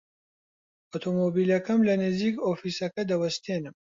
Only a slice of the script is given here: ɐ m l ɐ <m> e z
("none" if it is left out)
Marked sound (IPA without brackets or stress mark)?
n